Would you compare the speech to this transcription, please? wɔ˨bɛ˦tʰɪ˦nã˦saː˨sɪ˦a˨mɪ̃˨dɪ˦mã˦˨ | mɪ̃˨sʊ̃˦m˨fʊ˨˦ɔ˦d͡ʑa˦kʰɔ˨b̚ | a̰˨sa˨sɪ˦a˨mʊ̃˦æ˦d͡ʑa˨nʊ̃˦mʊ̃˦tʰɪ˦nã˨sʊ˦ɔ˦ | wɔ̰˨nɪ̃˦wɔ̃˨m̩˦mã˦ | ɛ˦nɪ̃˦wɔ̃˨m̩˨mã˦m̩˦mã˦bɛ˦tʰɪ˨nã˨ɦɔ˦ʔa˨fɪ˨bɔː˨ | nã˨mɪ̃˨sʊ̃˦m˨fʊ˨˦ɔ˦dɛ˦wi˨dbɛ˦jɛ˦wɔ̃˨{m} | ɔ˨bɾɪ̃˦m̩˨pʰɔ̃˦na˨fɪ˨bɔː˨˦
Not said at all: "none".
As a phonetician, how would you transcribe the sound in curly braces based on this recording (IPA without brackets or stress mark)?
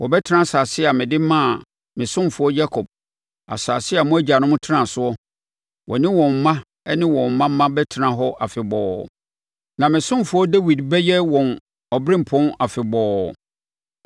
n